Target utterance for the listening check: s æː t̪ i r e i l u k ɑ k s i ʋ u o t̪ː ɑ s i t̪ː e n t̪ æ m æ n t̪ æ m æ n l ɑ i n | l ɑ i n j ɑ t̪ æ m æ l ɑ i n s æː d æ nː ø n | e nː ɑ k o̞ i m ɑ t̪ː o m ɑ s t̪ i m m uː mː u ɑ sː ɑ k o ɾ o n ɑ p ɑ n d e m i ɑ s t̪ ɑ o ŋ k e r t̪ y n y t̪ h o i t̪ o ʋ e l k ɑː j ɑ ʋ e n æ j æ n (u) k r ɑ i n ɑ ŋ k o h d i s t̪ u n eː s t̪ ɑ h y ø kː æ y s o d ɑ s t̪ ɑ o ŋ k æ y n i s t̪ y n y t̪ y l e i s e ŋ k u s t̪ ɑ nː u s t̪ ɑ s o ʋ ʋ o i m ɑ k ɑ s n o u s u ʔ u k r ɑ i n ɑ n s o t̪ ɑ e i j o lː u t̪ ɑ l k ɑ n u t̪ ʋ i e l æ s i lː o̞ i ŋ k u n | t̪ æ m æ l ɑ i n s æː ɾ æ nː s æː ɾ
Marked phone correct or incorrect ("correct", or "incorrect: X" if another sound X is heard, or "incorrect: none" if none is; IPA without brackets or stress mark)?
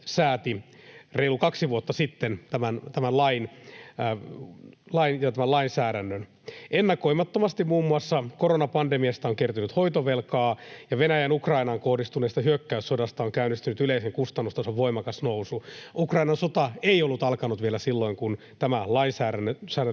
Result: correct